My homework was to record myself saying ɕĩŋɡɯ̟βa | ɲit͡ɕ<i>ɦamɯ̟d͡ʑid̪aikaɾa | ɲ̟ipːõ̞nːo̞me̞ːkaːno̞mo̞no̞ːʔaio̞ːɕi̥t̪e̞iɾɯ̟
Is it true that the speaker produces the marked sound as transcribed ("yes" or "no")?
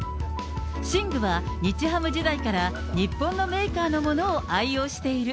yes